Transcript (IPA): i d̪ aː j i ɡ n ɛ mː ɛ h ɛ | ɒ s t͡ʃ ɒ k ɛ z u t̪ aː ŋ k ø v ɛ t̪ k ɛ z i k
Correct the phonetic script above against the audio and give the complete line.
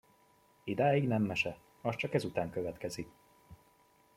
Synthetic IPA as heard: i d̪ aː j i ɡ n ɛ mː ɛ ʃ ɛ | ɒ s t͡ʃ ɒ k ɛ z u t̪ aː ŋ k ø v ɛ t̪ k ɛ z i k